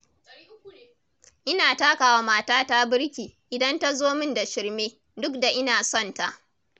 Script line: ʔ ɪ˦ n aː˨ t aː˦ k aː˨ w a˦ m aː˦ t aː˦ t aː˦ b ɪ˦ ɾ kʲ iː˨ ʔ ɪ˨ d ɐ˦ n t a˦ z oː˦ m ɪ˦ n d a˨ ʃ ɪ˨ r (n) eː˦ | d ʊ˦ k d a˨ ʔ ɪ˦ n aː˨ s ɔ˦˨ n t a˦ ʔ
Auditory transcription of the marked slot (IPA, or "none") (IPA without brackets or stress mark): m